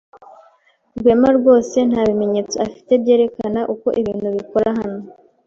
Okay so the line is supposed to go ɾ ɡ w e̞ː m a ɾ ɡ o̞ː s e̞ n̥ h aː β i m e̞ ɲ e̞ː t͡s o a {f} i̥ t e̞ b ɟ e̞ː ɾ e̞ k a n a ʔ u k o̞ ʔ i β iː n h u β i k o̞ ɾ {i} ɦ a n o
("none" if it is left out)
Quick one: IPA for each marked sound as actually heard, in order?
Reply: f, a

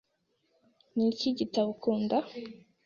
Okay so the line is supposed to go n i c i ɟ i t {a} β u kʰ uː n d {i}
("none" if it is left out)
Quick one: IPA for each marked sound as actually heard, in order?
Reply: a, a

